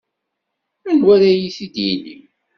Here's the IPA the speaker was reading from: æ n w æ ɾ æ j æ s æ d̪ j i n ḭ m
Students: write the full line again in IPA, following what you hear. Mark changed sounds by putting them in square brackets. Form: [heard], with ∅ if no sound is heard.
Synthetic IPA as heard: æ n w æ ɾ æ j [i] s [i] d̪ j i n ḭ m